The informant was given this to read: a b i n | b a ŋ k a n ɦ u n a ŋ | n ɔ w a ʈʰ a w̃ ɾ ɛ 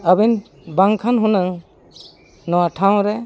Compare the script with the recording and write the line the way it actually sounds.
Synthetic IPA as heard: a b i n | b a ŋ kʰ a n ɦ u n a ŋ | n ɔ w a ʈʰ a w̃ ɾ ɛ